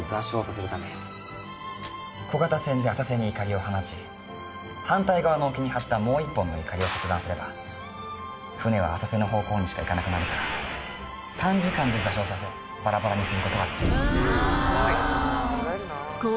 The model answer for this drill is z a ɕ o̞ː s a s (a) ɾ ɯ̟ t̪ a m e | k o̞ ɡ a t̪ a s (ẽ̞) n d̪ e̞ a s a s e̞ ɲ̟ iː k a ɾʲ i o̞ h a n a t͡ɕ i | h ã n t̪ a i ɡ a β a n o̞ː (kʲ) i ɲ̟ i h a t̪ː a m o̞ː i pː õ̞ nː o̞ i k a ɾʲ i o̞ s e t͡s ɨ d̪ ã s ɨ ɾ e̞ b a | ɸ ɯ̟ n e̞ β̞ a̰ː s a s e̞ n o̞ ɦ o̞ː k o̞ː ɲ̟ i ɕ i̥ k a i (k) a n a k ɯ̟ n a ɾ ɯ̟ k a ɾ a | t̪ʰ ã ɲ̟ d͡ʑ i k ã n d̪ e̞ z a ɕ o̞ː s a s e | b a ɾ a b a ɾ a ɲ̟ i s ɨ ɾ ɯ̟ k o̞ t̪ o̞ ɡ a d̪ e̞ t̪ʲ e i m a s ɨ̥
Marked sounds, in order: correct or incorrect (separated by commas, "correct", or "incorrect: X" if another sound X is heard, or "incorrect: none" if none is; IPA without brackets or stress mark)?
incorrect: e, correct, correct, correct